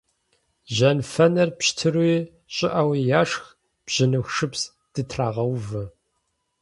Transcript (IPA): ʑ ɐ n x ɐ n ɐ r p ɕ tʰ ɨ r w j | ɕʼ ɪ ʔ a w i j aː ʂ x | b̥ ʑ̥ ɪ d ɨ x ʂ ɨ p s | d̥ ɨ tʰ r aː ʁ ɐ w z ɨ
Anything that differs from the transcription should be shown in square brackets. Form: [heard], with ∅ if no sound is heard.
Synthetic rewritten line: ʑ ɐ n [f] ɐ n ɐ r p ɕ tʰ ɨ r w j | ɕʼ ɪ ʔ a w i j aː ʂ x | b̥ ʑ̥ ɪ [n] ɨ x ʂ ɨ p s | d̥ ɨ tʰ r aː ʁ ɐ w [v] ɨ

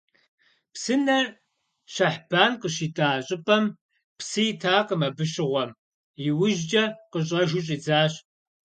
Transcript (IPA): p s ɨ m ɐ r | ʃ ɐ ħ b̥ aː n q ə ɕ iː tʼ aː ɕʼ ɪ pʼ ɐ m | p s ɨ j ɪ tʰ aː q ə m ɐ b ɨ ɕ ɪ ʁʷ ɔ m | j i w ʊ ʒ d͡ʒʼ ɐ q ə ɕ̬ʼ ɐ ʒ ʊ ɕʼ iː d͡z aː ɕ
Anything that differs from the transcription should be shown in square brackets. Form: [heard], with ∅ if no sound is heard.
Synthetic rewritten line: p s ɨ [n] ɐ r | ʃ ɐ ħ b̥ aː n q ə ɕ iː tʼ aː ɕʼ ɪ pʼ ɐ m | p s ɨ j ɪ tʰ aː q ə m ɐ b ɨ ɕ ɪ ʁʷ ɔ m | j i w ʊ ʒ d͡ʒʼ ɐ q ə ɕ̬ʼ ɐ ʒ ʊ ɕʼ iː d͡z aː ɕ

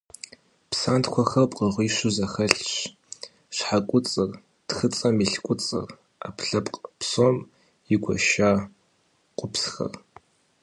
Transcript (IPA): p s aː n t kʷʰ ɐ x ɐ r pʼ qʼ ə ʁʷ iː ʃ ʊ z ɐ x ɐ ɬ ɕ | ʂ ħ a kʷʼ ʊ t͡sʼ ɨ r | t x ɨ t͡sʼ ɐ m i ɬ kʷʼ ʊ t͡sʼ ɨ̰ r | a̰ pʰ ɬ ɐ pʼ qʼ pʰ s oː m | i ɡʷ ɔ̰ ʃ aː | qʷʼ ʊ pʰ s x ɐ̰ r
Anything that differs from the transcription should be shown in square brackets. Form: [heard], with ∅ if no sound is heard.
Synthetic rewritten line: p s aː n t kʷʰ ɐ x ɐ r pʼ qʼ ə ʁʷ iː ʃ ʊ z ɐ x ɐ ɬ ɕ | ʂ ħ a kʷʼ ʊ t͡sʼ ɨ r | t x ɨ t͡sʼ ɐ m i ɬ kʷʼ ʊ t͡sʼ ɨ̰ r | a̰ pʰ ɬ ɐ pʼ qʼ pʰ s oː m | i ɡʷ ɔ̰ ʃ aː | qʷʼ ʊ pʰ s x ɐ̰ r

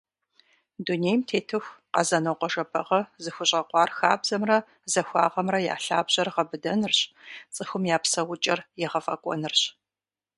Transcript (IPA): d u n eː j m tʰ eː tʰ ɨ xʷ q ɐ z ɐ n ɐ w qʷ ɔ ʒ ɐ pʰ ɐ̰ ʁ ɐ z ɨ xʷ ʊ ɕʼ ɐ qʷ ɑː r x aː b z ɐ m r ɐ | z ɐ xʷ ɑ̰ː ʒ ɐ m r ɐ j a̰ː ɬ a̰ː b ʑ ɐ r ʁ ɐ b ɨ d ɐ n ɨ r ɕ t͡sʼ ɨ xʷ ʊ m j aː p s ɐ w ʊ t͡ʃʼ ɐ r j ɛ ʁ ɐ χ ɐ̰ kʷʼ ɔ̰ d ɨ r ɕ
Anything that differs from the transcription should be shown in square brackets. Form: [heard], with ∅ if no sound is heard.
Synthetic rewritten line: d u n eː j m tʰ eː tʰ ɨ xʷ q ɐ z ɐ n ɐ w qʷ ɔ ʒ ɐ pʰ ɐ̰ ʁ ɐ z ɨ xʷ ʊ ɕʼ ɐ qʷ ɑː r x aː b z ɐ m r ɐ | z ɐ xʷ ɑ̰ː [ʁ] ɐ m r ɐ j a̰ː ɬ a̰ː b ʑ ɐ r ʁ ɐ b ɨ d ɐ n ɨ r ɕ t͡sʼ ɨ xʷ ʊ m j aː p s ɐ w ʊ t͡ʃʼ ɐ r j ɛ ʁ ɐ [f] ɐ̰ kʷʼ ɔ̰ [n] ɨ r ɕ

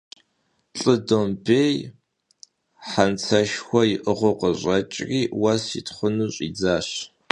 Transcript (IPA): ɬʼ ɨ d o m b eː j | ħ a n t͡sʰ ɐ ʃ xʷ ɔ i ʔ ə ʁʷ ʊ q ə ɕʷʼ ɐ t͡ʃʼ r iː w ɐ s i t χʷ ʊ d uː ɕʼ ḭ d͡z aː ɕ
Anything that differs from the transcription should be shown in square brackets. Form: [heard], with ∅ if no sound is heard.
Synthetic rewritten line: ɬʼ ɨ d o m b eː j | ħ a n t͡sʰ ɐ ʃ xʷ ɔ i ʔ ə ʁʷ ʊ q ə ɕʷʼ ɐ t͡ʃʼ r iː w ɐ s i t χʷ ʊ [n] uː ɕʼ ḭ d͡z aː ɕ

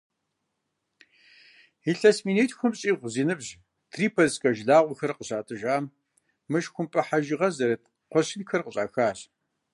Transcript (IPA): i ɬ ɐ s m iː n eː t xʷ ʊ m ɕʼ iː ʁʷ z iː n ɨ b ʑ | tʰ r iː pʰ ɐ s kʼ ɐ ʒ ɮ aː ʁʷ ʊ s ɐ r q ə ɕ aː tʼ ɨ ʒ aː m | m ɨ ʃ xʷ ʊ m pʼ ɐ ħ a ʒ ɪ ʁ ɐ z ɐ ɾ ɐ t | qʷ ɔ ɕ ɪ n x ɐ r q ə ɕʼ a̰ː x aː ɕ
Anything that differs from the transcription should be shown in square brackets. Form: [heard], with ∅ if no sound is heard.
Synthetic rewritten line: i ɬ ɐ s m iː n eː t xʷ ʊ m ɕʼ iː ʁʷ z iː n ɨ b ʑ | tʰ r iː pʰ ɐ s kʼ ɐ ʒ ɮ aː ʁʷ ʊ [x] ɐ r q ə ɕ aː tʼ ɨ ʒ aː m | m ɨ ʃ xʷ ʊ m pʼ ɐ ħ a ʒ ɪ ʁ ɐ z ɐ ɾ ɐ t | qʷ ɔ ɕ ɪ n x ɐ r q ə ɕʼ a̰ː x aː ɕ

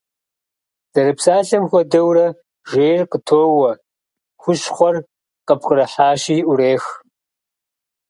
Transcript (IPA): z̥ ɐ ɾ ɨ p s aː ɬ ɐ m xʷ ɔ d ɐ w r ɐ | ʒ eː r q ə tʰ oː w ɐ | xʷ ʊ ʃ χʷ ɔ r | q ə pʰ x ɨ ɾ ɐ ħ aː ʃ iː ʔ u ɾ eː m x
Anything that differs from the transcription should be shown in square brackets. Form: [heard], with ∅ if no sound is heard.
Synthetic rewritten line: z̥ ɐ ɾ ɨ p s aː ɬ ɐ m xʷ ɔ d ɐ w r ɐ | ʒ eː r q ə tʰ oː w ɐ | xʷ ʊ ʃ χʷ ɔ r | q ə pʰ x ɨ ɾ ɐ ħ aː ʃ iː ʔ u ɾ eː [∅] x

